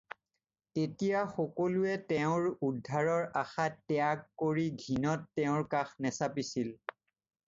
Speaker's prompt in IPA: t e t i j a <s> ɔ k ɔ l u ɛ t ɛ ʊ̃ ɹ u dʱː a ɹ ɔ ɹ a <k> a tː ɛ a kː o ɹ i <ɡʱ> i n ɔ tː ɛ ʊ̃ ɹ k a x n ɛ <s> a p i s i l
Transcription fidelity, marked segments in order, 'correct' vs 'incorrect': incorrect: x, incorrect: x, correct, correct

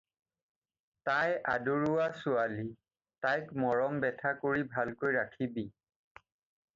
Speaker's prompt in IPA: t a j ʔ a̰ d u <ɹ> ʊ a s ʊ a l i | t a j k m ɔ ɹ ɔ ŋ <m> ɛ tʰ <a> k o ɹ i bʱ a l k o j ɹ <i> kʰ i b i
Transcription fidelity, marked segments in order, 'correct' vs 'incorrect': correct, incorrect: b, correct, incorrect: a

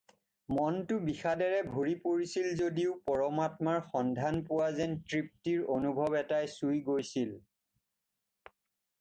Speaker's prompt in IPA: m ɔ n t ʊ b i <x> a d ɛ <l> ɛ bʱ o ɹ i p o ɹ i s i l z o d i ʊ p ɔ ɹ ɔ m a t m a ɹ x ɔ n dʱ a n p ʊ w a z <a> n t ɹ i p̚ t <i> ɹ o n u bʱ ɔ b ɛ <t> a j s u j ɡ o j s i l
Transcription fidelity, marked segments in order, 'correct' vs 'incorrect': correct, incorrect: ɹ, incorrect: ɛ, correct, correct

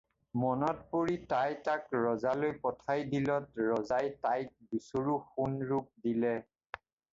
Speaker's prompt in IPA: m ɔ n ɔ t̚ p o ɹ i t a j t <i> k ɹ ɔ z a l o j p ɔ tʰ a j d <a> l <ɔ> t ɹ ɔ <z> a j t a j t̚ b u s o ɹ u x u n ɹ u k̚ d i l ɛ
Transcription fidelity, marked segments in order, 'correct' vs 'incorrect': incorrect: a, incorrect: i, correct, correct

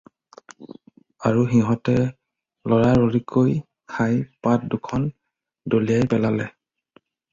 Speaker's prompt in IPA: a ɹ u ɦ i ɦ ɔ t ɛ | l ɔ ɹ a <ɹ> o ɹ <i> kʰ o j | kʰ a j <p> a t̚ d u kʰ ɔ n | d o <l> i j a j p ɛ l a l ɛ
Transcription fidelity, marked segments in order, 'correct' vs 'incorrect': correct, correct, correct, correct

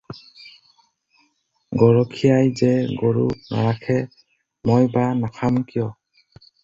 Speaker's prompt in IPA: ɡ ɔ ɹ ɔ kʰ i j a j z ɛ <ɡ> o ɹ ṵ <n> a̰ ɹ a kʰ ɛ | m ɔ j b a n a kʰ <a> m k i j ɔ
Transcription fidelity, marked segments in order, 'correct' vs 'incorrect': correct, correct, correct

